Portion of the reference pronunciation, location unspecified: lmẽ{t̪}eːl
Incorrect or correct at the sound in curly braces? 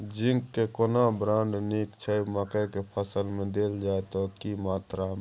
incorrect: d̪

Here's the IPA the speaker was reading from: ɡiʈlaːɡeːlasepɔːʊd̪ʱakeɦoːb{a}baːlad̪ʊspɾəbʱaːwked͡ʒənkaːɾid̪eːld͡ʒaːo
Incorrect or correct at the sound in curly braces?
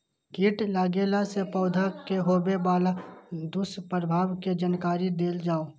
incorrect: e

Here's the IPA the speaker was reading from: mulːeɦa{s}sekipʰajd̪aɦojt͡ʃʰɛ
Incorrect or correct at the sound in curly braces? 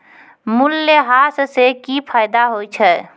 correct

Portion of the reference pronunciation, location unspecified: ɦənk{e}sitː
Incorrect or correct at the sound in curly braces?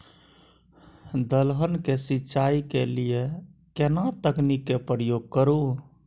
correct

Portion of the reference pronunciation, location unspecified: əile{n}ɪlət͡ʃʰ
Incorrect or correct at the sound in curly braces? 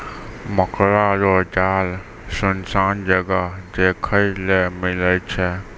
incorrect: m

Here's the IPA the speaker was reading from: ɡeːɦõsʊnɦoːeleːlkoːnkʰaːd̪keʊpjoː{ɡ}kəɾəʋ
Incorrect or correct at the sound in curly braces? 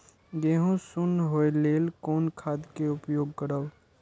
correct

